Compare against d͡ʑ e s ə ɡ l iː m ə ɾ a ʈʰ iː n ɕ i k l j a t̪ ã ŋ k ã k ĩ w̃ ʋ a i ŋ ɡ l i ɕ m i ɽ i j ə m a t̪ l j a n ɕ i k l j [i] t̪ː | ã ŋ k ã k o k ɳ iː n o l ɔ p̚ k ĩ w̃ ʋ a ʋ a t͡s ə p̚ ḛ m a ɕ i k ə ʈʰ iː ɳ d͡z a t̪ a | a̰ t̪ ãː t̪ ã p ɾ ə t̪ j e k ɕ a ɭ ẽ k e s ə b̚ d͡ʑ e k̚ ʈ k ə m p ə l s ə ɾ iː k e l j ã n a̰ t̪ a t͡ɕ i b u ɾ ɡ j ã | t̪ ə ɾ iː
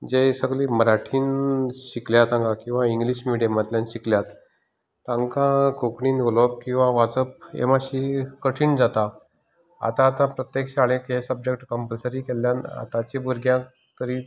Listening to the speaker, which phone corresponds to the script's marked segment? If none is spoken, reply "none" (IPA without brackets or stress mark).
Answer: a